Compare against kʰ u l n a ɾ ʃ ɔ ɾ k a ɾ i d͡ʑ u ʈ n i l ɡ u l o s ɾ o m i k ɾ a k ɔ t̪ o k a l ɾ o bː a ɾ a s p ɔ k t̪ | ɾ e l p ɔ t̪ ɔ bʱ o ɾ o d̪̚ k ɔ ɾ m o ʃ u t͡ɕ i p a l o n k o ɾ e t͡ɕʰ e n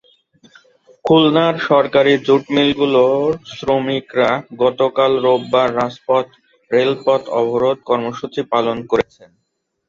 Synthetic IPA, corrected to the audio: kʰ u l n a ɾ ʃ ɔ ɾ k a ɾ i d͡ʑ u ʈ m i l ɡ u l o s ɾ o m i k ɾ a ɡ ɔ t̪ o k a l ɾ o bː a ɾː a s p ɔ t̪ | ɾ e l p ɔ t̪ ɔ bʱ o ɾ o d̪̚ k ɔ ɾ m o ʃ u t͡ɕ i p a l o n k o ɾ e t͡ɕʰ e n